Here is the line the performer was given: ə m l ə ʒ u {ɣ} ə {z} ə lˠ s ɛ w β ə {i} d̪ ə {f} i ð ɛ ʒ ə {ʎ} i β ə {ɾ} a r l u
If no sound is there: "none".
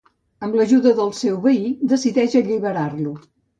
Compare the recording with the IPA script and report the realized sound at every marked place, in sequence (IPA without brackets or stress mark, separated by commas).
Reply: ð, ð, i, s, ʎ, ɾ